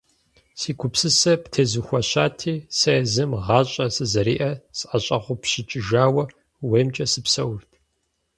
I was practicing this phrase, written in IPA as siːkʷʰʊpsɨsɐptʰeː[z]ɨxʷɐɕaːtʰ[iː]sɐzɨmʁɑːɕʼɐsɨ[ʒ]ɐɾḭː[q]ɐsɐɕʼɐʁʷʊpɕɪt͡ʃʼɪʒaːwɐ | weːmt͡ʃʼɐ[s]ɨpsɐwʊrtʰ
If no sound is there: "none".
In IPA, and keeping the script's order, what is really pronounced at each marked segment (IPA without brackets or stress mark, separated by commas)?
z, iː, z, ʔ, s